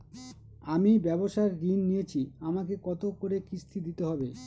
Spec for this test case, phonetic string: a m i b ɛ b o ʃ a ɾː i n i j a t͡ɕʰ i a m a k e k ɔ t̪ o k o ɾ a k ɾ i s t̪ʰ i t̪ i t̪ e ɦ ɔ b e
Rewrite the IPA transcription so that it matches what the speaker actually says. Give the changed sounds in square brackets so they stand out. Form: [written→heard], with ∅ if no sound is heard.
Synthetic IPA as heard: a m i b ɛ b o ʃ a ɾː i [n→nː] i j [a→e] t͡ɕʰ i a m a k e k ɔ t̪ o k o ɾ [a→e] k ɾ i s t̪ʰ i [t̪→d̪] i t̪ e ɦ ɔ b e